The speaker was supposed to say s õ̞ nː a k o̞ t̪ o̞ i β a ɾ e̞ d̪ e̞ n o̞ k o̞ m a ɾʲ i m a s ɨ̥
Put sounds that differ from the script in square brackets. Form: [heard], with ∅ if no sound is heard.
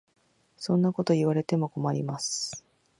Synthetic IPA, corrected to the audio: s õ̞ nː a k o̞ t̪ o̞ i β a ɾ e̞ [t̪] e̞ [m] o̞ k o̞ m a ɾʲ i m a s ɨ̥